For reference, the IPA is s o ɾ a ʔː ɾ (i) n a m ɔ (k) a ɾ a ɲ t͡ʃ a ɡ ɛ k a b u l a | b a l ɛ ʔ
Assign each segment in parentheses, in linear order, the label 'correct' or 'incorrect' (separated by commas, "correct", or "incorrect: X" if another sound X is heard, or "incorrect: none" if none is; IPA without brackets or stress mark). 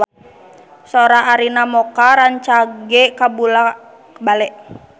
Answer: correct, correct